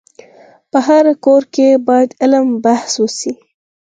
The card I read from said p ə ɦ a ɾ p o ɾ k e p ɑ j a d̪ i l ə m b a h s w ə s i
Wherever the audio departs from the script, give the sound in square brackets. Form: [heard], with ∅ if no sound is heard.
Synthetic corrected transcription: p ə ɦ a ɾ [k] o ɾ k e [b] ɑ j a d̪ [ɪ] l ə m b a h s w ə s i